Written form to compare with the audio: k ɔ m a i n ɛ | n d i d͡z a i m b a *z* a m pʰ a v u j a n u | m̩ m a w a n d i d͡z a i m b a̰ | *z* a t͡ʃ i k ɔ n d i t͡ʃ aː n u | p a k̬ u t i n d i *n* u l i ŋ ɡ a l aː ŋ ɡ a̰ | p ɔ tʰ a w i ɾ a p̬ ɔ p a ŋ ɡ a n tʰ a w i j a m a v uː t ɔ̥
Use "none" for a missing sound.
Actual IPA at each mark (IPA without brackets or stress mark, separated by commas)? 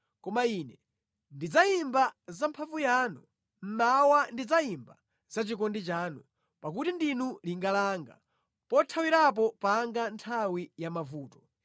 z, z, n